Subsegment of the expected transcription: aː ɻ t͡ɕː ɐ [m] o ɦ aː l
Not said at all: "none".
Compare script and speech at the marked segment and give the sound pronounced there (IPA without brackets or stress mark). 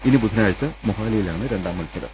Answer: m